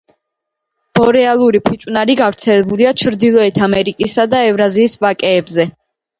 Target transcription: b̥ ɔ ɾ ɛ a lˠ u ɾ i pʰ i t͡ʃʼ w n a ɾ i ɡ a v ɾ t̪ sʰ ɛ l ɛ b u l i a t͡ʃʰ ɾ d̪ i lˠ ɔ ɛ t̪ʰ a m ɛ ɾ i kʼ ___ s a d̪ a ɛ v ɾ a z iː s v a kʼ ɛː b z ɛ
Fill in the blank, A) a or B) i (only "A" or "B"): B